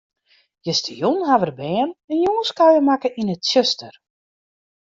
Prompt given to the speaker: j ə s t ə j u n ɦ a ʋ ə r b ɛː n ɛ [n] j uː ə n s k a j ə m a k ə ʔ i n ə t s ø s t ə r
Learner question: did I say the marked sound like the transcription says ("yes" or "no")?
yes